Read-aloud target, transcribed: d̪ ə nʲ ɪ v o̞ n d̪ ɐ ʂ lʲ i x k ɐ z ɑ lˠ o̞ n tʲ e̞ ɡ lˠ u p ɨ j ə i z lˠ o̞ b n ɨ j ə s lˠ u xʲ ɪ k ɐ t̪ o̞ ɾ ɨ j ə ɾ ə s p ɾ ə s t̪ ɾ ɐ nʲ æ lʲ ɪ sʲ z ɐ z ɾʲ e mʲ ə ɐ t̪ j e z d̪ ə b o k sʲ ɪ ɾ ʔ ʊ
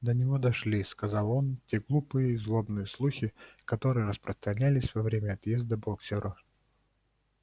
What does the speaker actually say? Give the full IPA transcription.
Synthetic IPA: d̪ ə nʲ ɪ v o̞ d̪ ɐ ʂ lʲ i s k ɐ z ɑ lˠ o̞ n tʲ e̞ ɡ lˠ u p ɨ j ə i z lˠ o̞ b n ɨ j ə s lˠ u xʲ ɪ k ɐ t̪ o̞ ɾ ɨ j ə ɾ ə s p ɾ ə s t̪ ɾ ɐ nʲ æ lʲ ɪ sʲ v ɐ v ɾʲ e mʲ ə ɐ t̪ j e z d̪ ə b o k sʲ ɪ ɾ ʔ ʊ

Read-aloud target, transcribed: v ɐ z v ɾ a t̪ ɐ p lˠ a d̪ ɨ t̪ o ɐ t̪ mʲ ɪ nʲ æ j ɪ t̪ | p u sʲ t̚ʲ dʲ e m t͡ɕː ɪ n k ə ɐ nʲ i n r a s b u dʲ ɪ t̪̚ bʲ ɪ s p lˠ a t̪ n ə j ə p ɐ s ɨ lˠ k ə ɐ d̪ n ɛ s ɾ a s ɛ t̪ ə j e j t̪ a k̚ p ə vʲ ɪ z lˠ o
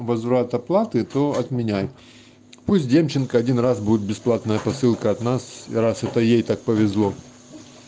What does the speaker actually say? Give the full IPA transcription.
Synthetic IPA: v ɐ z v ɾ a t̪ ɐ p lˠ a t̪ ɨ t̪ o ɐ t̪ mʲ ɪ nʲ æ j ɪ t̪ | p u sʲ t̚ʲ dʲ e m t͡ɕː ɪ n k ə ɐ dʲ i n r a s b u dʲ ɪ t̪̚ bʲ ɪ s p lˠ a t̪ n ə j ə p ɐ s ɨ lˠ k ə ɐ t̪ n a s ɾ a s ɛ t̪ ə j e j t̪ a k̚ p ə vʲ ɪ z lˠ o

